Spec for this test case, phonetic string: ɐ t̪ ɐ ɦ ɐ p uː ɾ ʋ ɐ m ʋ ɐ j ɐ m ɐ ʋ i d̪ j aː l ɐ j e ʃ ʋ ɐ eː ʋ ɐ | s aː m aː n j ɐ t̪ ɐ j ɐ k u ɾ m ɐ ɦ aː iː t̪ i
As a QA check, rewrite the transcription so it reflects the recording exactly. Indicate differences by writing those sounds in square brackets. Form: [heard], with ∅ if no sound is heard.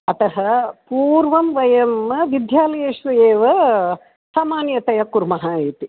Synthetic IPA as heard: ɐ t̪ ɐ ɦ ɐ p uː ɾ ʋ ɐ m ʋ ɐ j ɐ m ɐ ʋ i d̪ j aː l ɐ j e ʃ ʋ ɐ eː ʋ ɐ | s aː m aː n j ɐ t̪ ɐ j ɐ k u ɾ m ɐ ɦ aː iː t̪ i